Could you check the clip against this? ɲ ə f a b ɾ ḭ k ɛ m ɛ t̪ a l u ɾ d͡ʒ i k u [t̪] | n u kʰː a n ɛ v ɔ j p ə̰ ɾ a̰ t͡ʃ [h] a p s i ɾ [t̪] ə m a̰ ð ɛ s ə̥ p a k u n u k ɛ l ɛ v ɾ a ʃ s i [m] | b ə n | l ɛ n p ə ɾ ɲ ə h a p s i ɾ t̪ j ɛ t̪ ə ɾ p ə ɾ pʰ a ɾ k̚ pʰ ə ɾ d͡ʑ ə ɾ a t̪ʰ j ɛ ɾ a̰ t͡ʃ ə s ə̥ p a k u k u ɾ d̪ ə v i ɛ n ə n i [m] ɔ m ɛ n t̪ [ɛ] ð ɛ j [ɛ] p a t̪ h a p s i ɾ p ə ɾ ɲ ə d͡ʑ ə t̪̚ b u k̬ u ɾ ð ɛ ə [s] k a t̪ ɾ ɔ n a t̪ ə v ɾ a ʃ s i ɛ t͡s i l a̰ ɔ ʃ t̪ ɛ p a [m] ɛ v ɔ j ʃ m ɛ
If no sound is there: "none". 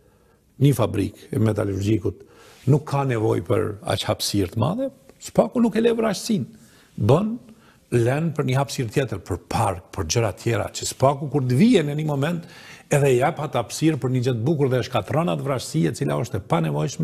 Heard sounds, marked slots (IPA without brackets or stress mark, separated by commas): t̪, h, t̪, n, m, ɛ, a, ʃ, n